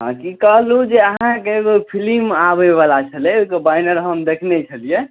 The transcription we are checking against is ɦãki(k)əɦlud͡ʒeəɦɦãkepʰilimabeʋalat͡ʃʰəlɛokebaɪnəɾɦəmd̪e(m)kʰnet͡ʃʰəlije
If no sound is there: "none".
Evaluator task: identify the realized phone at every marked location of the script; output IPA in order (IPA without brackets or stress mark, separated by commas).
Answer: k, none